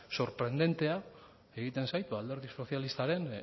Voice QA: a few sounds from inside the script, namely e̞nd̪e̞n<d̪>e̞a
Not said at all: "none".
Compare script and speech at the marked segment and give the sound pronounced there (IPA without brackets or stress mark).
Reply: t̪